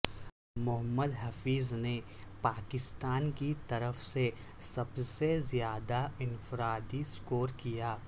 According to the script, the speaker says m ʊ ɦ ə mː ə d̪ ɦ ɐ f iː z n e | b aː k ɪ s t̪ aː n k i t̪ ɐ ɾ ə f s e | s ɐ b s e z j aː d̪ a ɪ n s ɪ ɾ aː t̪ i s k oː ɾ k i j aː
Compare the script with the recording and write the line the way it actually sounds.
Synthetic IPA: m ʊ ɦ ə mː ə d̪ ɦ ɐ f iː z n e | p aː k ɪ s t̪ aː n k i t̪ ɐ ɾ ə f s e | s ɐ b s e z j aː d̪ a ɪ n f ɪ ɾ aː d̪ i s k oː ɾ k i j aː